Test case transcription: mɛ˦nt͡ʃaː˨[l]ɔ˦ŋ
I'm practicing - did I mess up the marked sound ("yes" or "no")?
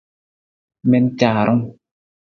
yes